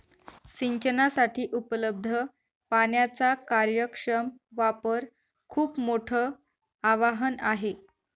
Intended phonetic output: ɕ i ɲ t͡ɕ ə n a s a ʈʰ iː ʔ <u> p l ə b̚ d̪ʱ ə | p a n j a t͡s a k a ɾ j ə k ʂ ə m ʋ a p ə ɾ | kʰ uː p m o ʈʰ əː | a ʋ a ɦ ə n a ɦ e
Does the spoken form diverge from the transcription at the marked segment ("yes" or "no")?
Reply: no